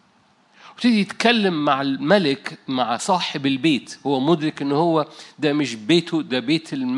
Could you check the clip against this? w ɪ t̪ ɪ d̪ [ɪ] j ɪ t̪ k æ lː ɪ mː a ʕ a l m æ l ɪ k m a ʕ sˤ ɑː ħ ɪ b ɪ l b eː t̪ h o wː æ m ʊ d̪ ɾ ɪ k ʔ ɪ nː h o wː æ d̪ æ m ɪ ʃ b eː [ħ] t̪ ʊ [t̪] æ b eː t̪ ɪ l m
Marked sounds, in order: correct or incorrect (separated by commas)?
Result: incorrect, incorrect, incorrect